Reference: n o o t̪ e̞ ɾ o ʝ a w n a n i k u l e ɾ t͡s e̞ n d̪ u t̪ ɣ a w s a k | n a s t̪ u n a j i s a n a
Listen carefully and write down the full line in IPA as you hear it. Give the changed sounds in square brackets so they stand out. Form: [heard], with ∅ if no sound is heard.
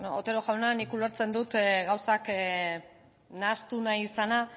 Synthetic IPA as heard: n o o t̪ e̞ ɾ o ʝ a w n a n i k u l e ɾ t͡s e̞ n d̪ u t̪ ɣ a w s a k | n a s t̪ u n a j i s a n a